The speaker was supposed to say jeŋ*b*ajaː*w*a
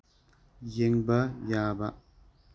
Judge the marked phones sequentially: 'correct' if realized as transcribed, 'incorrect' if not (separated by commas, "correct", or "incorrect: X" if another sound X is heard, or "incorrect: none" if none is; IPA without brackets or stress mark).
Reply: correct, incorrect: b